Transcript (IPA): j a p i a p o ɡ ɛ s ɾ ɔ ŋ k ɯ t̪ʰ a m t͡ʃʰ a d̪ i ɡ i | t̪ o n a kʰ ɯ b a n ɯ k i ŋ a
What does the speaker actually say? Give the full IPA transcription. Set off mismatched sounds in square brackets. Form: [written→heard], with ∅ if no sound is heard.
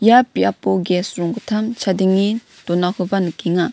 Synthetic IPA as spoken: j a p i a p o ɡ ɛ s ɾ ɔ ŋ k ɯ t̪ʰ a m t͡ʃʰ a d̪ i [ɡ→ŋ] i | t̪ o n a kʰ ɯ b a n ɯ k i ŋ a

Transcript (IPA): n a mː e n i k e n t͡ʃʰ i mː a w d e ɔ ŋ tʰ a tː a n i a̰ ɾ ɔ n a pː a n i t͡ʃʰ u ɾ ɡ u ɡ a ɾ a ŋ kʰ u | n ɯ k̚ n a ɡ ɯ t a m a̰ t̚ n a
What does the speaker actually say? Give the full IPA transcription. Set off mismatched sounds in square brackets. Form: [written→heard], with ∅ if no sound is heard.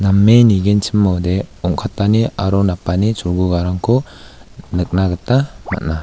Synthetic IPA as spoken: n a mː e n i [k→ɡ] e n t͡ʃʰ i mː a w d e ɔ ŋ [tʰ→kʰ] a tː a n i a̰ ɾ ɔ n a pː a n i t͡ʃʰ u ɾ ɡ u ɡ a ɾ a ŋ kʰ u | n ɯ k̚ n a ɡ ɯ t a m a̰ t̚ n a

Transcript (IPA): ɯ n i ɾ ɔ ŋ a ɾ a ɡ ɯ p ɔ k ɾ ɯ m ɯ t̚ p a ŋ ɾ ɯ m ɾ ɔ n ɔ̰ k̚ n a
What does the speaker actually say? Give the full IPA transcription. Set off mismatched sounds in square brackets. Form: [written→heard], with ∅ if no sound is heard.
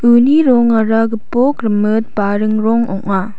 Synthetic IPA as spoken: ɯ n i ɾ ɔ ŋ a ɾ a ɡ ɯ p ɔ k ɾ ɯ m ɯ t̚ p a [ŋ→∅] ɾ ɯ [m→ŋ] ɾ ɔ [n→ŋ] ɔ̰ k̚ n a

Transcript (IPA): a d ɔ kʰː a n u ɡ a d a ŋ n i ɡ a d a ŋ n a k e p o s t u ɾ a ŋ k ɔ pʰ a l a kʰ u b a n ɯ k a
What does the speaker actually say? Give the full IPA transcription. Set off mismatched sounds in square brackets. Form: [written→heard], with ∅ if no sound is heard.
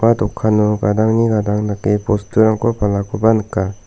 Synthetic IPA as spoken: a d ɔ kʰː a n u ɡ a d a ŋ n i ɡ a d a ŋ n a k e p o s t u ɾ a ŋ k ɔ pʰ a l a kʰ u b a n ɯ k a

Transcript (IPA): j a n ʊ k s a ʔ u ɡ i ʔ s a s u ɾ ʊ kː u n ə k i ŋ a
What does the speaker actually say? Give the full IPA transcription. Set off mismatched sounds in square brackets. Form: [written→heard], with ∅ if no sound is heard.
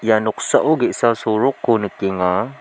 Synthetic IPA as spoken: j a n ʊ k s a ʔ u ɡ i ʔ s a s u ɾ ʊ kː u n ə k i ŋ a

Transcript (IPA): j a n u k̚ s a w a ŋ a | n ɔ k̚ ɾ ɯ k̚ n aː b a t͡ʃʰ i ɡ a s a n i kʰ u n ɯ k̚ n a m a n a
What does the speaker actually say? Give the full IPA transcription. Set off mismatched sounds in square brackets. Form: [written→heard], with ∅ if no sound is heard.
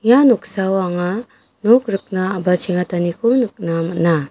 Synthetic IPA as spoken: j a n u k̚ s a w a ŋ a | n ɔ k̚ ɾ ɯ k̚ n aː b a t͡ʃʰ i [ɡ→ŋ] a [s→t] a n i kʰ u n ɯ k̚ n a m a n a

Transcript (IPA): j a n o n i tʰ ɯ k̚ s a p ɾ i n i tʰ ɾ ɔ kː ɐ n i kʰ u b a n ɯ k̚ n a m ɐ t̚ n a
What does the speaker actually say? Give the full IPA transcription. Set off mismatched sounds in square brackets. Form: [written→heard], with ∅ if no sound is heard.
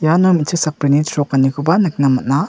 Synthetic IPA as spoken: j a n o [n→m] i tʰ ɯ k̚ s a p ɾ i n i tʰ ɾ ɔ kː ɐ n i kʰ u b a n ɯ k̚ n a m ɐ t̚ n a

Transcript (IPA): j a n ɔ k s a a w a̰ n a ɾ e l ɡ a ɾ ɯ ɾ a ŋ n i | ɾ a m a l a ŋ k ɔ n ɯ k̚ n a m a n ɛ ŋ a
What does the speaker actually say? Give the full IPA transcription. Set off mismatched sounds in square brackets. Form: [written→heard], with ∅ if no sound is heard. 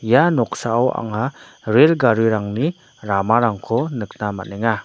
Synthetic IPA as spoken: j a n ɔ k s a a w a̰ [n→ŋ] a ɾ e l ɡ a ɾ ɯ ɾ a ŋ n i | ɾ a m a [l→ɾ] a ŋ [k→kʰ] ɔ n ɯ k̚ n a m a n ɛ ŋ a

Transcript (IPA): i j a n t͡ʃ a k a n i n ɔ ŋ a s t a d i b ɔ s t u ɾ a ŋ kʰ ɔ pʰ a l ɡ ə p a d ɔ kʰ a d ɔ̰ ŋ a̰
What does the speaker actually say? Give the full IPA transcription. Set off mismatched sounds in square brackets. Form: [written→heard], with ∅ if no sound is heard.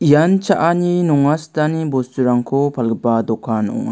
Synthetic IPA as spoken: i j a n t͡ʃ a [k→ʔ] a n i n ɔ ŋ a s t a [d→n] i b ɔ s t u ɾ a ŋ kʰ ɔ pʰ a l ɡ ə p a d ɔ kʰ a [d→n] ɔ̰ ŋ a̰

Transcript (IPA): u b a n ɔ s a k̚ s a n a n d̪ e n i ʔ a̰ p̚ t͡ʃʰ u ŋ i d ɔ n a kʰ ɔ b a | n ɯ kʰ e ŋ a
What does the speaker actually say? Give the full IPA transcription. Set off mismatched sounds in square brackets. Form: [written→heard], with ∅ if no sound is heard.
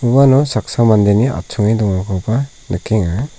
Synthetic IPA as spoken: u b a n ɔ s a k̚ s a [n→m] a n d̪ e n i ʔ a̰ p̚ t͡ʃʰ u ŋ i d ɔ [n→ŋ] a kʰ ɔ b a | n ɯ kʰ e ŋ a

